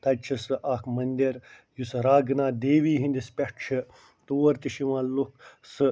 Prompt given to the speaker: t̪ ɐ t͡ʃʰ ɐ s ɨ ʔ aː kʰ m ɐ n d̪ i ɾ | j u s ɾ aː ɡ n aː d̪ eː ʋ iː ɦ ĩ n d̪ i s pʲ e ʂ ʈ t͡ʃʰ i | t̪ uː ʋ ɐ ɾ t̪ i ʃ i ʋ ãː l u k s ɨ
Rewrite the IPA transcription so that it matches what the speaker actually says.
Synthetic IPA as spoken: t̪ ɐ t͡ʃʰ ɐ s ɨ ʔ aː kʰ m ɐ n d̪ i ɾ | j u s ɾ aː ɡ n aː d̪ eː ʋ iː ɦ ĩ n d̪ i s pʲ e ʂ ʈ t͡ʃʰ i | t̪ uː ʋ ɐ ɾ t̪ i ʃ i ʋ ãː l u k s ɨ